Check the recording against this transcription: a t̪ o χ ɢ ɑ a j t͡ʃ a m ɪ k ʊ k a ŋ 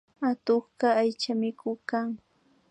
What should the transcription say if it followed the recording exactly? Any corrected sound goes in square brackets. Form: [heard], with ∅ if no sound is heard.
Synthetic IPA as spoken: a t̪ o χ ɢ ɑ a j t͡ʃ a m ɪ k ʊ k a ŋ